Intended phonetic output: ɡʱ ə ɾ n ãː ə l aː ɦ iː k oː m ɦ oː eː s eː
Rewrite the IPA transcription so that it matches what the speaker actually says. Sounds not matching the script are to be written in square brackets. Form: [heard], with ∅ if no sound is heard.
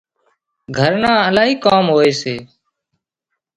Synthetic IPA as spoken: ɡʱ ə ɾ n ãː ə l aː ɦ iː k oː m ɦ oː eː s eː